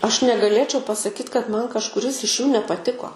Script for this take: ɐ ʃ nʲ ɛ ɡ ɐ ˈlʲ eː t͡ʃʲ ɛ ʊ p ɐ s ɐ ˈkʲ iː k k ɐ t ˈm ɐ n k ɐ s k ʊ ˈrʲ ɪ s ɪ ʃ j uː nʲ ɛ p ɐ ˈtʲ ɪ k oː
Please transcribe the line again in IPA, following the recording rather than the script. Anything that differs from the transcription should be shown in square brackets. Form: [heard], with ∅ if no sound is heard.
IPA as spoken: ɐ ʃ nʲ ɛ ɡ ɐ ˈlʲ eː t͡ʃʲ ɛ ʊ p ɐ s ɐ ˈkʲ iː [t] k ɐ t ˈm ɐ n k ɐ [ʃ] k ʊ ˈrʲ ɪ s ɪ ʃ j uː nʲ ɛ p ɐ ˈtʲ ɪ k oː